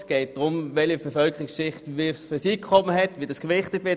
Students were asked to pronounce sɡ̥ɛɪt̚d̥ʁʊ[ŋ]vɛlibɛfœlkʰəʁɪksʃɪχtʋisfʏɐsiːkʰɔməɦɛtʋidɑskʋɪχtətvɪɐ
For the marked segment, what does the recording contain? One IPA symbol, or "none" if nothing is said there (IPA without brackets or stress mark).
m